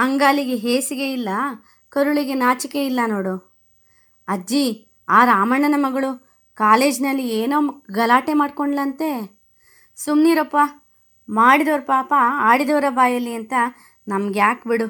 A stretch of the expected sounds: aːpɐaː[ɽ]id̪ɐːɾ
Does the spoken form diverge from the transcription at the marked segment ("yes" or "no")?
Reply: no